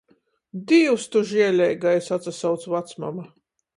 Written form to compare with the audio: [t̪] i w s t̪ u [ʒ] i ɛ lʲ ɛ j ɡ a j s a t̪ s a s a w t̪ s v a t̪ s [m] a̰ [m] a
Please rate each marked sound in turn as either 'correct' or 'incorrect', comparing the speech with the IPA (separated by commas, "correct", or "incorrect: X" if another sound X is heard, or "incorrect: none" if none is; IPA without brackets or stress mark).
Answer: incorrect: d̪, correct, correct, correct